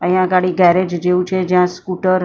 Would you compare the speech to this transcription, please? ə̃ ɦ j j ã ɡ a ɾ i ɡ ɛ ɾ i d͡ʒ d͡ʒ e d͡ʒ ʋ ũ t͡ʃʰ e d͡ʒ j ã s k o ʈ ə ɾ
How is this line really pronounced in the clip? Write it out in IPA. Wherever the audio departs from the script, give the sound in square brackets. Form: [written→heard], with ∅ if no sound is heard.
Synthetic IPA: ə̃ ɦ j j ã ɡ a [ɾ→ɽ] i ɡ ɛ ɾ [i→e] d͡ʒ d͡ʒ e [d͡ʒ→∅] ʋ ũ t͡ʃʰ e d͡ʒ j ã s k [o→u] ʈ ə ɾ